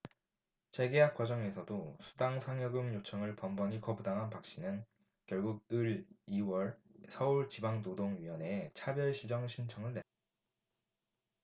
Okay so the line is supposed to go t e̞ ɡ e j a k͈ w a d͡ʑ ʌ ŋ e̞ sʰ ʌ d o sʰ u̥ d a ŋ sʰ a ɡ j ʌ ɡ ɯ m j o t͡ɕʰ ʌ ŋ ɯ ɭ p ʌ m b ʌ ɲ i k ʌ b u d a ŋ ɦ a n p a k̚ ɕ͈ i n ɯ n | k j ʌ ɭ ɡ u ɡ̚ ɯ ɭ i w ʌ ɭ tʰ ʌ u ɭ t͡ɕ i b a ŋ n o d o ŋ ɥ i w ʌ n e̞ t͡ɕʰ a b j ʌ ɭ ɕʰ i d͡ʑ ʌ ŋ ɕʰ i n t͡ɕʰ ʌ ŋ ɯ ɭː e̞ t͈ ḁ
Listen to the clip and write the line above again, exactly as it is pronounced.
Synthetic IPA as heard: t͡ɕ e̞ ɡ e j a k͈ w a d͡ʑ ʌ ŋ e̞ sʰ ʌ d o sʰ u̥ d a ŋ sʰ a ŋ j ʌ ɡ ɯ m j o t͡ɕʰ ʌ ŋ ɯ ɭ p ʌ m b ʌ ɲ i k ʌ b u d a ŋ ɦ a n p a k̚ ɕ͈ i n ɯ n | k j ʌ ɭ ɡ u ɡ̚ ɯ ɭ i w ʌ ɭ sʰ ʌ u ɭ t͡ɕ i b a ŋ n o d o ŋ ɥ i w ʌ n e̞ t͡ɕʰ a b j ʌ ɭ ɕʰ i d͡ʑ ʌ ŋ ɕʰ i n t͡ɕʰ ʌ ŋ ɯ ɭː e̞ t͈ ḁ